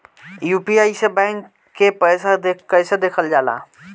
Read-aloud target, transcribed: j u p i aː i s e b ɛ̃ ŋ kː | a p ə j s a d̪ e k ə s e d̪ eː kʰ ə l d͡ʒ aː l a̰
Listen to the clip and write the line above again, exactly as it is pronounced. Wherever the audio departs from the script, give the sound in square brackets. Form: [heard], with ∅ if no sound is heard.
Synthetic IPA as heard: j u p i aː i s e b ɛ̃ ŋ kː | [e] p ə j s a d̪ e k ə s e d̪ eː kʰ ə l d͡ʒ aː l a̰